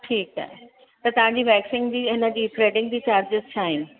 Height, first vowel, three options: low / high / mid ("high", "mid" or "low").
high